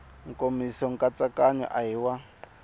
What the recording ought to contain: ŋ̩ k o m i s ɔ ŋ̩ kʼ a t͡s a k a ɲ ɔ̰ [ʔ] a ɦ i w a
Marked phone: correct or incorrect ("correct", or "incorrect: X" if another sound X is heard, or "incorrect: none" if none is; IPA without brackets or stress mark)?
correct